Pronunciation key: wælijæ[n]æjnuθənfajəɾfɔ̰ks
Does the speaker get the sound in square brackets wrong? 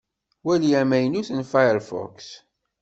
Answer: yes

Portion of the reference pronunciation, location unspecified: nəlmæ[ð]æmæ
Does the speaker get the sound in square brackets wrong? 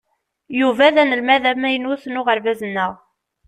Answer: no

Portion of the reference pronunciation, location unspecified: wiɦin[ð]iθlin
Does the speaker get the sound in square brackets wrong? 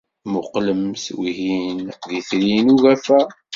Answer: no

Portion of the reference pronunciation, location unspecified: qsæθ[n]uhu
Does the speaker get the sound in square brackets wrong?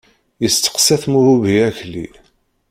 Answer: yes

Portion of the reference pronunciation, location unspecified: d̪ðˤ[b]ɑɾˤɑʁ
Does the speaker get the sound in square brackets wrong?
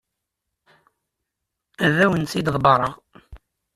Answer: no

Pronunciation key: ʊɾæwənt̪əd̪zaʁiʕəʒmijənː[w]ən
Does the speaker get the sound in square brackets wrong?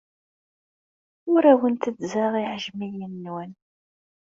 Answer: no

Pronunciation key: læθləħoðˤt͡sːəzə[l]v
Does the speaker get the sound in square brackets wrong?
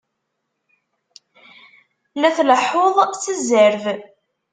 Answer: yes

